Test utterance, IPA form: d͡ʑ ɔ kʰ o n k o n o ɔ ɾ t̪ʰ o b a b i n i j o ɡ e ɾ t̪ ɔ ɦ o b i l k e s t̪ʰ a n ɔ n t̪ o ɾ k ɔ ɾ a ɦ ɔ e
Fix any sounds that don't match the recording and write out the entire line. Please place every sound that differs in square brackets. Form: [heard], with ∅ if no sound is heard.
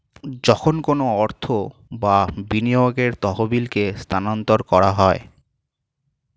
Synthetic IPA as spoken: d͡ʑ ɔ kʰ o n k o n o ɔ ɾ t̪ʰ o b a b i n i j o ɡ e ɾ t̪ ɔ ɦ o b i l k e s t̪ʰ a n ɔ n t̪ o ɾ k ɔ ɾ a ɦ ɔ e

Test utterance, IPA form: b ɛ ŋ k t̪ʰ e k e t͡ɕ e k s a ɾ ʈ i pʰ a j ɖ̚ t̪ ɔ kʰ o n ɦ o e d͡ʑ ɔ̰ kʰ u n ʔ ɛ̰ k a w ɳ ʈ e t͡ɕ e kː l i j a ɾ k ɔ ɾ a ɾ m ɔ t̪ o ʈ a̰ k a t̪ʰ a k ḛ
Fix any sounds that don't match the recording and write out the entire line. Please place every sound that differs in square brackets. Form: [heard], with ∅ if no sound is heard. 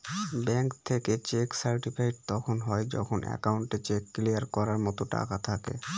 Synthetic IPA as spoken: b ɛ ŋ k t̪ʰ e k e t͡ɕ e k s a ɾ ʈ i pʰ a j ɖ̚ t̪ ɔ kʰ o n ɦ [ɔ] e d͡ʑ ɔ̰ kʰ [o] n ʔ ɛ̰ k a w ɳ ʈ e t͡ɕ e kː l i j a ɾ k ɔ ɾ a ɾ m ɔ t̪ o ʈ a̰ k a t̪ʰ a k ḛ

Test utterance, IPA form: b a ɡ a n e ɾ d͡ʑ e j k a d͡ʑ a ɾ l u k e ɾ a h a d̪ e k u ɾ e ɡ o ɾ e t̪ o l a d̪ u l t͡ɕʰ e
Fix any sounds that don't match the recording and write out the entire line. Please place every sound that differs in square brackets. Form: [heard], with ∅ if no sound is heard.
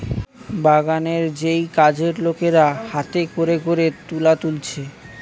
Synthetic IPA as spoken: b a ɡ a n e ɾ d͡ʑ e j k a d͡ʑ [e] ɾ l [o] k e ɾ a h a [t̪] e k [o] ɾ e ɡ o ɾ e t̪ [u] l a [t̪] u l t͡ɕʰ e

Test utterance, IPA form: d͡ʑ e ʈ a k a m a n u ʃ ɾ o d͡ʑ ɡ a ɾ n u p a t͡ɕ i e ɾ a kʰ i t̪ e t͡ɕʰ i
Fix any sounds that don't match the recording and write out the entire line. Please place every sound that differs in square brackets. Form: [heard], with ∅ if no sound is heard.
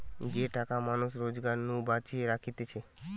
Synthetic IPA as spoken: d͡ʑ e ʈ a k a m a n u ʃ ɾ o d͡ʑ ɡ a ɾ n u [b] a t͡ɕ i e ɾ a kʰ i t̪ e t͡ɕʰ [e]

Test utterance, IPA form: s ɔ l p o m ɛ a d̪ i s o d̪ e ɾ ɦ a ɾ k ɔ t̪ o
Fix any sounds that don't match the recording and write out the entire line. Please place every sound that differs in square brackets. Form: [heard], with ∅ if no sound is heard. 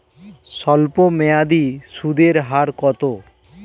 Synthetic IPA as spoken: s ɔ l p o m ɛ a d̪ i s [u] d̪ e ɾ ɦ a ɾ k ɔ t̪ o

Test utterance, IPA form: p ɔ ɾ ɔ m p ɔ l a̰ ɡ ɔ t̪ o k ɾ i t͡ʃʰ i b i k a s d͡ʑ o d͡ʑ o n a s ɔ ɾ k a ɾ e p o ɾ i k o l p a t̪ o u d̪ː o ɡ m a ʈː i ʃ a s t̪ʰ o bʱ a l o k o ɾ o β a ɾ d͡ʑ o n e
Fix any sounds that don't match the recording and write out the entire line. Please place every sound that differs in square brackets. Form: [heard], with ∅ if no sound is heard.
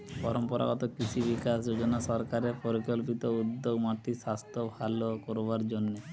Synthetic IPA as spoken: p ɔ ɾ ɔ m p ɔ [ɾ] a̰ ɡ ɔ t̪ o k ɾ i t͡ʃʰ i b i k a s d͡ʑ o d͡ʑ o n a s ɔ ɾ k a ɾ e p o ɾ i k o l p [i] t̪ o u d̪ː o ɡ m a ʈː i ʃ a s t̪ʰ o bʱ a l o k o ɾ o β a ɾ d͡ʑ o [nː] e

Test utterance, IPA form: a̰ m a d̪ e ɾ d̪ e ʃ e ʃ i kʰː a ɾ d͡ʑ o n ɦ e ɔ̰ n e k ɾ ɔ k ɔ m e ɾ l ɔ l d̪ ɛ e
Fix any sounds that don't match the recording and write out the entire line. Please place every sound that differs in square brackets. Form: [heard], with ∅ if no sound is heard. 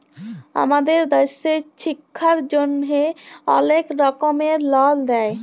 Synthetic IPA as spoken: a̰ m a d̪ e ɾ d̪ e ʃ e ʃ i kʰː a ɾ d͡ʑ o n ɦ e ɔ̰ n e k ɾ ɔ k [o] m e ɾ l ɔ l d̪ ɛ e

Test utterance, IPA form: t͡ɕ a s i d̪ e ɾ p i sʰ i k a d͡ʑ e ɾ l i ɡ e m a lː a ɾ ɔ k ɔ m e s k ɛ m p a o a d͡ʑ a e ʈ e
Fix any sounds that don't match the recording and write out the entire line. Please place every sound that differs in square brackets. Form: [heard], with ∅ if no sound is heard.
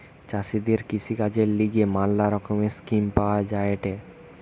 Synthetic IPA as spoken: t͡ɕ a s i d̪ e ɾ [k] i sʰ i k a d͡ʑ e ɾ l i ɡ e m a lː a ɾ ɔ k [o] m e s k [i] m p a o a d͡ʑ a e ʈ e

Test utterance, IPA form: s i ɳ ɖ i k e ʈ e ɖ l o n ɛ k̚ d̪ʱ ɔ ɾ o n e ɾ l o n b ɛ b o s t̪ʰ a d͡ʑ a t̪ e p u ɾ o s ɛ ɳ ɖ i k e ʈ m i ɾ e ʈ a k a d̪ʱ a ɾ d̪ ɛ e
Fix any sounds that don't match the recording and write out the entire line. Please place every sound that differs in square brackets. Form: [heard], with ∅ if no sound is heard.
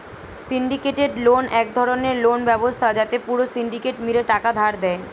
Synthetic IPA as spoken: s i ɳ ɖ i k e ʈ e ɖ l o n ɛ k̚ d̪ʱ ɔ ɾ o n e ɾ l o n b ɛ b o s t̪ʰ a d͡ʑ a t̪ e p u ɾ o s [i] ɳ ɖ i k e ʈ m i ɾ e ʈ a k a d̪ʱ a ɾ d̪ ɛ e

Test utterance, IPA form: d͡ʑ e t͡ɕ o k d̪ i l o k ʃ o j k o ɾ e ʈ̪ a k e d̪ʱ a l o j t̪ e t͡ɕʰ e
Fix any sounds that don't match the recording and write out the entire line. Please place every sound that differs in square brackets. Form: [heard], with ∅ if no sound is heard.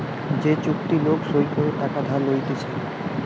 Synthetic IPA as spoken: d͡ʑ e t͡ɕ [u] k [t̪] i l o k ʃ o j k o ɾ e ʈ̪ a k [a] d̪ʱ a l o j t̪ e t͡ɕʰ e

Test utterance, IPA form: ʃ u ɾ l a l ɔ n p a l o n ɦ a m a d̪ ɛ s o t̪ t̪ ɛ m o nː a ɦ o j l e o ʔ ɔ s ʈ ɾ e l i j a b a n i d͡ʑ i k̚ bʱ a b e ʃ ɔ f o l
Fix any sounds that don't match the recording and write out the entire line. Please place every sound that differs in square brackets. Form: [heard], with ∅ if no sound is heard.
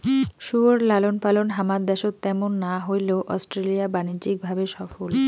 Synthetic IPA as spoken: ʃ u ɾ l a l [o] n p a l o n ɦ a m a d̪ ɛ [ʃ] o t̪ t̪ ɛ m o nː a ɦ o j l e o ʔ ɔ s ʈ ɾ e l i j a b a n i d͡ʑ i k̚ bʱ a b e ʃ ɔ f o l

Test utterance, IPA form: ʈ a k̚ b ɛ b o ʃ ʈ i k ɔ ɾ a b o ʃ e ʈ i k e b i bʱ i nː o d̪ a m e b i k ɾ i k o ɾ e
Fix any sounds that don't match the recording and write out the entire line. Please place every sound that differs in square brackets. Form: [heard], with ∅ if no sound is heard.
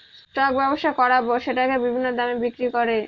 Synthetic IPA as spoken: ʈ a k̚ b ɛ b o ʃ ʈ [a] k ɔ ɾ a b o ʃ e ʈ [a] k e b i bʱ i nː o d̪ a m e b i k ɾ i k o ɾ e

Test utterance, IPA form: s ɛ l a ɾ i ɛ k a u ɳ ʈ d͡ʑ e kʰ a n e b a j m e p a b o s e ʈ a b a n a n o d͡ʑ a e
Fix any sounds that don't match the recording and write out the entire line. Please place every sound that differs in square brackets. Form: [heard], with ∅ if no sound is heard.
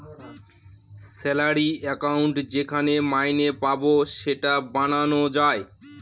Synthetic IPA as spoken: s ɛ l a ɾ i ɛ k a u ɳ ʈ d͡ʑ e kʰ a n e [m] a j [n] e p a b o [ʃ] e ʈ a b a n a n o d͡ʑ a e

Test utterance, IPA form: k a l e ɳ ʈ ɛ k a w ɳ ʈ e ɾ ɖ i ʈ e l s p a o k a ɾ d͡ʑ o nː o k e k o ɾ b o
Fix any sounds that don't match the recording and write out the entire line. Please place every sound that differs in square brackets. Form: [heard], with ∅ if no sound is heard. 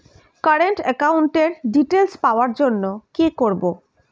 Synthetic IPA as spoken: k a [ɾ] e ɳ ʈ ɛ k a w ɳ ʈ e ɾ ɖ i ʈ e l s p a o [∅] a ɾ d͡ʑ o nː o k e k o ɾ b o

